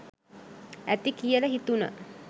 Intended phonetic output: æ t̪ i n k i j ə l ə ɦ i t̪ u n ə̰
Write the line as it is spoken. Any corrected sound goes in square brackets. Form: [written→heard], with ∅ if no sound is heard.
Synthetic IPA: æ t̪ i [n→∅] k i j ə l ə ɦ i t̪ u n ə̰